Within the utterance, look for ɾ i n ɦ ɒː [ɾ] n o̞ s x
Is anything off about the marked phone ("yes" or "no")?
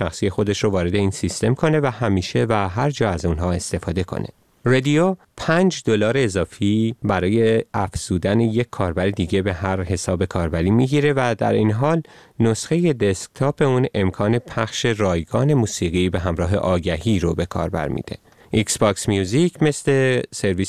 yes